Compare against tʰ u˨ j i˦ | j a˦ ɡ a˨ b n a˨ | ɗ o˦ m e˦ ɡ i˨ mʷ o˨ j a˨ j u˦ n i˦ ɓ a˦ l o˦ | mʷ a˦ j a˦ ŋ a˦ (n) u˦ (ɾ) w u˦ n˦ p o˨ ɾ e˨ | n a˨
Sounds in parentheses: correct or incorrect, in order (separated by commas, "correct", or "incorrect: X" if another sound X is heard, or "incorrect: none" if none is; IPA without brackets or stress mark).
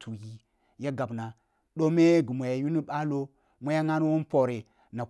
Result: correct, incorrect: none